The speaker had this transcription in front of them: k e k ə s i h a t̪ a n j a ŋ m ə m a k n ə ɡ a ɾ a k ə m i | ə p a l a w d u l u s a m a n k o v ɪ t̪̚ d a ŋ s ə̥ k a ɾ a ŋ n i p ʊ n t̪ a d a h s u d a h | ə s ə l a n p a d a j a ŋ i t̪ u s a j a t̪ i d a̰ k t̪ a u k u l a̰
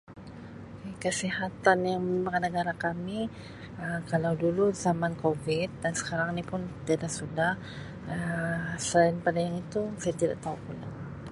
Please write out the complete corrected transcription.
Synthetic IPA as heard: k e k ə s i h a t̪ a n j a ŋ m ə m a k n ə ɡ a ɾ a k a m i | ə k a l a w d u l u z a m a n k o v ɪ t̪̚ d a n s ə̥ k a ɾ a ŋ n i p ʊ n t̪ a d a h s u d a h | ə s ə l a n p a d a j a ŋ i t̪ u s a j a t̪ i d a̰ ʔ t̪ a u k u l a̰